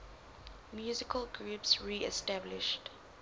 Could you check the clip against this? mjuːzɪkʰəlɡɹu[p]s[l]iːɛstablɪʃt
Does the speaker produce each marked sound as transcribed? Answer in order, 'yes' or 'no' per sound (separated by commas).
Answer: yes, no